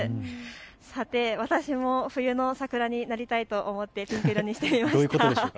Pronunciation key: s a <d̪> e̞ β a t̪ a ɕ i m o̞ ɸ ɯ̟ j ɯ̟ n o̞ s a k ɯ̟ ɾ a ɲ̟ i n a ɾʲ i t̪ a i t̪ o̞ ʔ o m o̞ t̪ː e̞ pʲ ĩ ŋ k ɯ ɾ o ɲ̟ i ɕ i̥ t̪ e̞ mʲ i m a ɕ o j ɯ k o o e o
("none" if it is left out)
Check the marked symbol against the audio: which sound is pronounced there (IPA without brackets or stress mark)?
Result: t̪